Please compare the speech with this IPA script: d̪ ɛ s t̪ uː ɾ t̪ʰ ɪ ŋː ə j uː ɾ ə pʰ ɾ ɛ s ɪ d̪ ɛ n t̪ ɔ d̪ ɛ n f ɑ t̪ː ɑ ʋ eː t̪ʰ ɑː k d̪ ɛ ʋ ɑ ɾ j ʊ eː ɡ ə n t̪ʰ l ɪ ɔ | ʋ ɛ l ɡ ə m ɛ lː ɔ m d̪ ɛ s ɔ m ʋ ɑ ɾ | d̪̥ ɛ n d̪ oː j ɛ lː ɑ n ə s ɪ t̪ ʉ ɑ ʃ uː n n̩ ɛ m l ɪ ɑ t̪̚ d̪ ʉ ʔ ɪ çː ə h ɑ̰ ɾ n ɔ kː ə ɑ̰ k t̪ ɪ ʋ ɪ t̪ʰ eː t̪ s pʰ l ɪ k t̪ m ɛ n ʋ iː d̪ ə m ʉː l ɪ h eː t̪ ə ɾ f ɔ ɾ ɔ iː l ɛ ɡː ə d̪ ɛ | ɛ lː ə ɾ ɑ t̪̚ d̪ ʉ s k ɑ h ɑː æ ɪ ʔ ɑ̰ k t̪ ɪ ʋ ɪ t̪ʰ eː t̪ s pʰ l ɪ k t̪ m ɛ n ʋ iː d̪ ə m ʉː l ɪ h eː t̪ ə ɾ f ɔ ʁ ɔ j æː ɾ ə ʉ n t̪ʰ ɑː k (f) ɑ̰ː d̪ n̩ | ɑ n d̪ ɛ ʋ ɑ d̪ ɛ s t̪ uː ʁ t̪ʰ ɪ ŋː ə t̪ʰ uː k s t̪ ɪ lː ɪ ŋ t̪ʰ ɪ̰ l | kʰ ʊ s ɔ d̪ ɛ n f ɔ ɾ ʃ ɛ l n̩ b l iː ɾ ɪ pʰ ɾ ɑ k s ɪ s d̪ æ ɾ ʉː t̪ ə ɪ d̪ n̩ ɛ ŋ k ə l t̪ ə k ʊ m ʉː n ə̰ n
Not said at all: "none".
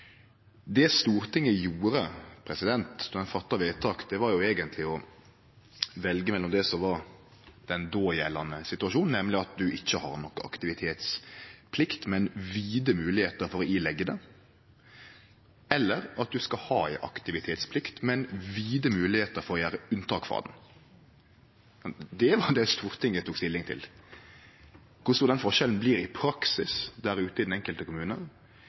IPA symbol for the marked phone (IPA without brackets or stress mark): f